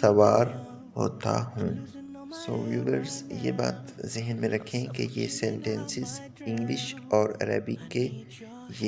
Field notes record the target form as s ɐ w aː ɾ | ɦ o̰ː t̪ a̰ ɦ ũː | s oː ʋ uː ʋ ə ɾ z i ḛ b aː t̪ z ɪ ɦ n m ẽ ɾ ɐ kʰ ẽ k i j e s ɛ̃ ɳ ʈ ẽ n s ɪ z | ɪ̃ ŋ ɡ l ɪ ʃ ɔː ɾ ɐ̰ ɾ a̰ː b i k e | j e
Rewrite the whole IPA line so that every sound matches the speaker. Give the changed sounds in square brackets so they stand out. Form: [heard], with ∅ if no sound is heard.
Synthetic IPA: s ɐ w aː ɾ | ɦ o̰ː t̪ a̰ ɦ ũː | s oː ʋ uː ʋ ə ɾ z [j] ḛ b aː t̪ z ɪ ɦ n m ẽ ɾ ɐ kʰ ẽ k [e] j e s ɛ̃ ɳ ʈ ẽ n s ɪ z | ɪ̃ ŋ ɡ l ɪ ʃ ɔː ɾ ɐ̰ ɾ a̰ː b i k e | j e